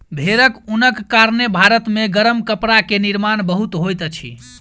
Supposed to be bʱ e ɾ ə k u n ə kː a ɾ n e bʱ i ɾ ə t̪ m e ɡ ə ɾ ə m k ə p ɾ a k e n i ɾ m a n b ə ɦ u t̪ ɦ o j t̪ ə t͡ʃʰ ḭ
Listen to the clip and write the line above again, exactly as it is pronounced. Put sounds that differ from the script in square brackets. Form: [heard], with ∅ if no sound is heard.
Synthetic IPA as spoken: bʱ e ɾ ə k u n ə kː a ɾ n e bʱ [a] ɾ ə t̪ m e ɡ ə ɾ ə m k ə p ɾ a k e n i ɾ m a n b ə ɦ u t̪ ɦ o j t̪ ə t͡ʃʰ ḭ